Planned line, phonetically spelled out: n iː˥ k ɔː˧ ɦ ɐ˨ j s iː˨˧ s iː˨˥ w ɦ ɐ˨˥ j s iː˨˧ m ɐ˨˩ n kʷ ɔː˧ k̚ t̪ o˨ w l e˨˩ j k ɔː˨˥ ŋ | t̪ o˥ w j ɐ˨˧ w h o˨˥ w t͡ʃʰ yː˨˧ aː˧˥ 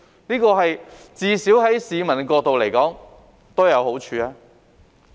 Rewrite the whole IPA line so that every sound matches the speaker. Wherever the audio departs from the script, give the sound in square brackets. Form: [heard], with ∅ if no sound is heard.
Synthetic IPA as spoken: n iː˥ k ɔː˧ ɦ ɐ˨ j [t͡s] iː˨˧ s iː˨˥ w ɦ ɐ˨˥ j s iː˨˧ m ɐ˨˩ n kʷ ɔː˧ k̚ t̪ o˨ w l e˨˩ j k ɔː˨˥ ŋ | t̪ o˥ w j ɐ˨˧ w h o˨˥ w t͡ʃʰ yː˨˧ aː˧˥

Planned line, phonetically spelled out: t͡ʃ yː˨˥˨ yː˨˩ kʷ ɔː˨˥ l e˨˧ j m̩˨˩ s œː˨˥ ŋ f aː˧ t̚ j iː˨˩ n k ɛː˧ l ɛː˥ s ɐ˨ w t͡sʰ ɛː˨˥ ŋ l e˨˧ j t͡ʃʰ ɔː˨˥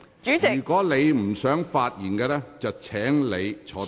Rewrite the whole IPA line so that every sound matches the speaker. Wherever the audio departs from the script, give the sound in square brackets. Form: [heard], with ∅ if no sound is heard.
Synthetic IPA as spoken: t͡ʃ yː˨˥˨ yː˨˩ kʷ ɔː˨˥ l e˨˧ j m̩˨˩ s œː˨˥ ŋ f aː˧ t̚ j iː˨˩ n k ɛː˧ l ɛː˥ [t͡s] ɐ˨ w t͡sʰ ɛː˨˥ ŋ l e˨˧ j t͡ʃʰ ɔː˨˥

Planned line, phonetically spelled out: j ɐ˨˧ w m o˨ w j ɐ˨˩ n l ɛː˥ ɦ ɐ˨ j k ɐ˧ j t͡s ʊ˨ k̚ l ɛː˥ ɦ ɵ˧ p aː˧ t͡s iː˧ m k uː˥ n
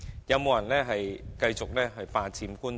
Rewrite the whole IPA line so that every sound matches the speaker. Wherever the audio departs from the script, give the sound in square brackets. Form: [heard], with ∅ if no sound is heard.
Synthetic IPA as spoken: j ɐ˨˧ w m o˨ w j ɐ˨˩ n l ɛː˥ ɦ ɐ˨ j k ɐ˧ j t͡s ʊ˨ k̚ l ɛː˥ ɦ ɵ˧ p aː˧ t͡s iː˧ m k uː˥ n

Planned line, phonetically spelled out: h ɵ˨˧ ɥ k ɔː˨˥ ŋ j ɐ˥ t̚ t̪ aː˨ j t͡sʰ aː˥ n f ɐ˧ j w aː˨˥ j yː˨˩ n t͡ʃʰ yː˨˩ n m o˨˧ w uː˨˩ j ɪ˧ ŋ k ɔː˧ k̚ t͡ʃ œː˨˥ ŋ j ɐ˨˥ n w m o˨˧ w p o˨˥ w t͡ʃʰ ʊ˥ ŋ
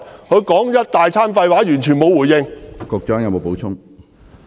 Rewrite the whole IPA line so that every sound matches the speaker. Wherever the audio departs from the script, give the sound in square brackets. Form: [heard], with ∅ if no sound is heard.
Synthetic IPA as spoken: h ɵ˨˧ ɥ k ɔː˨˥ ŋ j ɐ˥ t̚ t̪ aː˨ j t͡sʰ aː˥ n f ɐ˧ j w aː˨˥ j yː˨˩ n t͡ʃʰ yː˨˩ n m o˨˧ w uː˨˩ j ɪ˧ ŋ k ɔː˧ k̚ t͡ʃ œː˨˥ ŋ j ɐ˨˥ [∅] w m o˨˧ w p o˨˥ w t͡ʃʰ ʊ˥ ŋ

